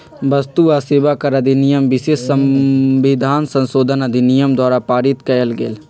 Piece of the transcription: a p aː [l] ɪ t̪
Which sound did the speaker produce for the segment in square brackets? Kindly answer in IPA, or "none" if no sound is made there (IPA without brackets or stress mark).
ɾ